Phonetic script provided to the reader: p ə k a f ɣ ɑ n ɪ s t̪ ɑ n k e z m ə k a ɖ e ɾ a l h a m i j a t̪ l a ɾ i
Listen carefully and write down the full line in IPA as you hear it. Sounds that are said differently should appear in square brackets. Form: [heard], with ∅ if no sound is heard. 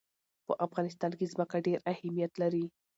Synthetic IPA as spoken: p ə [ʔ] a f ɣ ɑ n ɪ s t̪ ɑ n k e z m ə k a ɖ e ɾ a [∅] h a m i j a t̪ l a ɾ i